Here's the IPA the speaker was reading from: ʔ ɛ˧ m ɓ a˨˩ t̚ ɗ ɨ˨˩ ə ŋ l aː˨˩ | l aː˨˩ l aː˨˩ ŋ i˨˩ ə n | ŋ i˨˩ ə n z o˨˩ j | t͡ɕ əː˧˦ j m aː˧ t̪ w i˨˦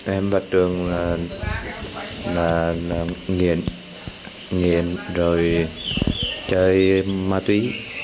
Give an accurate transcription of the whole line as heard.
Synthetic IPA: ʔ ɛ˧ m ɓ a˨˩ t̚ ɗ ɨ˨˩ ə ŋ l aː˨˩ | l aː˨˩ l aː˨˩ ŋ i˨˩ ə n | ŋ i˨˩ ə n z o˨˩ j | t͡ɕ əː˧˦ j m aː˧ t̪ w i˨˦